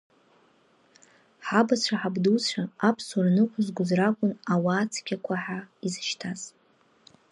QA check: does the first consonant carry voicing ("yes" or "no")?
no